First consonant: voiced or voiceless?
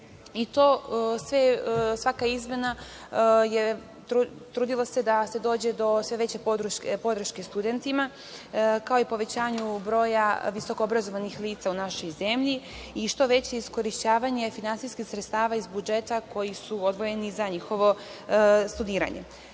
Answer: voiceless